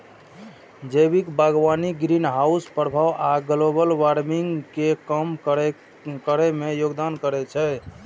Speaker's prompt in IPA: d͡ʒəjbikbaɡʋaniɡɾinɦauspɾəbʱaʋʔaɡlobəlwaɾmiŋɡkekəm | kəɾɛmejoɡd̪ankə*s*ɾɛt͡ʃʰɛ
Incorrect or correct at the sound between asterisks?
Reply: incorrect: none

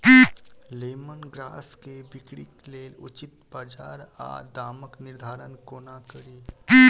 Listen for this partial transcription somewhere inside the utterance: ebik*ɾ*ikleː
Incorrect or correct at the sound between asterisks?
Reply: incorrect: ɽ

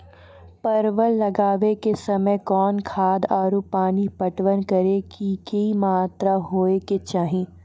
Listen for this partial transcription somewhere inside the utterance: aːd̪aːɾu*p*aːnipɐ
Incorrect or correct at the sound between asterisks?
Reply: correct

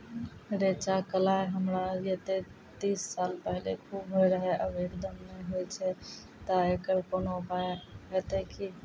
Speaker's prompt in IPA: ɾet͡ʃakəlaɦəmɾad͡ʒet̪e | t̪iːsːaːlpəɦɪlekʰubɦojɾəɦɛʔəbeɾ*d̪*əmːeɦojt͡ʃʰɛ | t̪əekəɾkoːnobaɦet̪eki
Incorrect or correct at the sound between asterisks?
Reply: correct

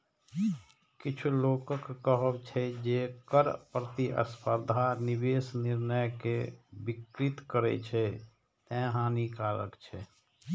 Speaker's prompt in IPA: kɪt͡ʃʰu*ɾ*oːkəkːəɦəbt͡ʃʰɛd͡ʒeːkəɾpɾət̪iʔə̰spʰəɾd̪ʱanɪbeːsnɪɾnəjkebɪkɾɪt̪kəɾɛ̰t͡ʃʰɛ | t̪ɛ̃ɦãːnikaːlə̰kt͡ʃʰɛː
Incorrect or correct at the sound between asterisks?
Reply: incorrect: l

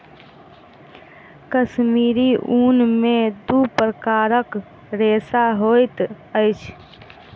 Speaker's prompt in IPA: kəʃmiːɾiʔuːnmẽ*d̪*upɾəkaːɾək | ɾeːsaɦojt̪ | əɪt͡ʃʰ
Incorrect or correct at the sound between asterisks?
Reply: correct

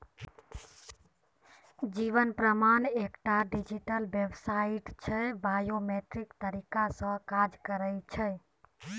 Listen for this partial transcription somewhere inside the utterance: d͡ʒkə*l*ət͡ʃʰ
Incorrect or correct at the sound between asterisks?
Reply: incorrect: ɾ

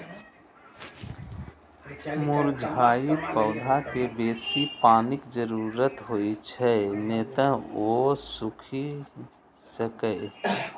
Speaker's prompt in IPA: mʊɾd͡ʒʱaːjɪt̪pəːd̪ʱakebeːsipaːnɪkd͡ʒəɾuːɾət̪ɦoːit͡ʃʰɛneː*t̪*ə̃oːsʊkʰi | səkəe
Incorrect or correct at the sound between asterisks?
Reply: correct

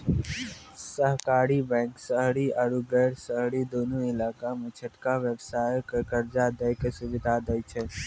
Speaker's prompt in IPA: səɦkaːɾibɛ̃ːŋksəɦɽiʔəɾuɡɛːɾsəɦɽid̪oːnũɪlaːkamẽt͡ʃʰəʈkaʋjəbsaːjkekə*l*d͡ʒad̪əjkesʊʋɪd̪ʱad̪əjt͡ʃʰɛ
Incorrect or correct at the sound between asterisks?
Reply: incorrect: ɾ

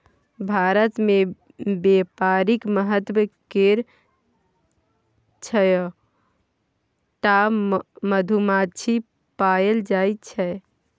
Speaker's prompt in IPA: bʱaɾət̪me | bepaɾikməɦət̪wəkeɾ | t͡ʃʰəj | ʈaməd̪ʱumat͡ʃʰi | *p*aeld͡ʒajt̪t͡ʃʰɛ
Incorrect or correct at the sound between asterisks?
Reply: correct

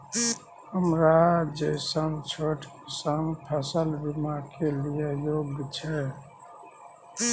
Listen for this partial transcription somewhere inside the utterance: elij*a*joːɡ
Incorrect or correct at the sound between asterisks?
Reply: incorrect: e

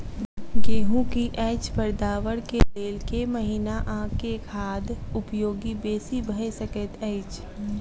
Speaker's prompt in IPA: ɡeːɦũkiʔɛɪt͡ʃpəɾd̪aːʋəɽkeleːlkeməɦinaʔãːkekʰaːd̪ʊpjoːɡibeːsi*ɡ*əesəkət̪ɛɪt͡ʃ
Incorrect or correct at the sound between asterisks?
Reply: incorrect: b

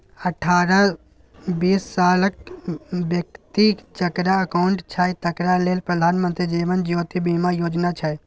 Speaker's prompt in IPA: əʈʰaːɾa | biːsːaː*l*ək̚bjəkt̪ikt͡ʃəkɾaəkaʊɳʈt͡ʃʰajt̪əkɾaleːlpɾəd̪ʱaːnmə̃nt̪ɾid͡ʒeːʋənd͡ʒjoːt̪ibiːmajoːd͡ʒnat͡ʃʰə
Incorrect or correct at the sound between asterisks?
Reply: correct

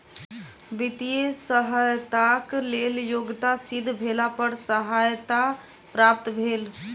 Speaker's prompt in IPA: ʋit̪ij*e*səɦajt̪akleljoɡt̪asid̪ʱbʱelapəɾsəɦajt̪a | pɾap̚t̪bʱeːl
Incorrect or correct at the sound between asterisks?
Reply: correct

